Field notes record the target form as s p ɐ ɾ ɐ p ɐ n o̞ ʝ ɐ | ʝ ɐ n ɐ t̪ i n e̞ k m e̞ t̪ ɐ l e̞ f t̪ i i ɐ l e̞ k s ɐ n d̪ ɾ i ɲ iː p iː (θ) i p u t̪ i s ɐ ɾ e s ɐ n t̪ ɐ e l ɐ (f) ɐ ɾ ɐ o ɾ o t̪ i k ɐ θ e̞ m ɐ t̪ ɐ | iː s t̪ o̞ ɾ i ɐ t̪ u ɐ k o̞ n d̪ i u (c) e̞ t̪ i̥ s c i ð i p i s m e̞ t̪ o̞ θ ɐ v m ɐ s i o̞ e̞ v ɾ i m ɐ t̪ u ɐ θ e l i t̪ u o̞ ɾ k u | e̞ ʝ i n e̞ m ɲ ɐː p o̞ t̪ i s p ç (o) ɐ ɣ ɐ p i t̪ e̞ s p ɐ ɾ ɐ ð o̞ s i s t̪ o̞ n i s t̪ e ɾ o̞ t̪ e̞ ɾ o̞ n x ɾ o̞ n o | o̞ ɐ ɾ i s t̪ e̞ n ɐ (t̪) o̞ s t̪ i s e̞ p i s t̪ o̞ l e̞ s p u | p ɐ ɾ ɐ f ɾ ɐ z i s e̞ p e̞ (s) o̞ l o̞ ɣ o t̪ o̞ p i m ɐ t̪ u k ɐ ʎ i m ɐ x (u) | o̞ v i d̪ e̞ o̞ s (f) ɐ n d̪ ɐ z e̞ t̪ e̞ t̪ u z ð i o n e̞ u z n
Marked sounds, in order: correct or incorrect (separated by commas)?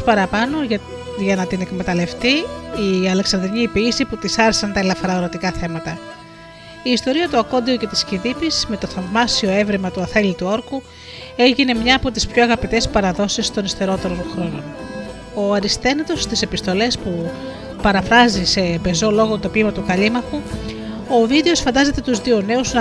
incorrect, correct, correct, correct, correct, incorrect, correct, correct